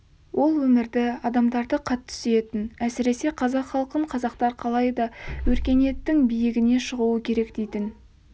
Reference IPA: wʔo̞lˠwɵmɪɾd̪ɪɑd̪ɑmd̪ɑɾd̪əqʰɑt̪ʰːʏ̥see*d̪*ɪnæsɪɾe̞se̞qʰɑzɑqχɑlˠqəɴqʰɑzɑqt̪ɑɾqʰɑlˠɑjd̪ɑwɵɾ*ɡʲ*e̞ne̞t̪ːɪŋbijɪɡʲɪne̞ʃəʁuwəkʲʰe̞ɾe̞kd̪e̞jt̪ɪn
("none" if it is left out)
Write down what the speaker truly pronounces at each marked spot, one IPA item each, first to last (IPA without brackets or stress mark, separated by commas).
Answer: t̪, kʲ